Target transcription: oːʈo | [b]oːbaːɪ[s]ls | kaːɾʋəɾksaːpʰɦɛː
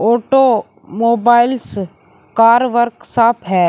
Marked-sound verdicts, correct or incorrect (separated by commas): incorrect, incorrect